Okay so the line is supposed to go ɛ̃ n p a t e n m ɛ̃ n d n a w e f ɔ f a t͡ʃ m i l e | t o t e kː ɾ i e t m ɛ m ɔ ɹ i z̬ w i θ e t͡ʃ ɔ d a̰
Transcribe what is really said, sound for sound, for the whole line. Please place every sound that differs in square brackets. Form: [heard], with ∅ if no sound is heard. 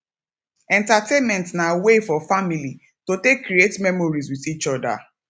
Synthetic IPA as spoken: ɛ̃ n [t] a t e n m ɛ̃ n [t] n a w e f ɔ f a [∅] m i l [i] | t o t e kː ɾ i e t m ɛ m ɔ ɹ i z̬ w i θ [i] t͡ʃ ɔ d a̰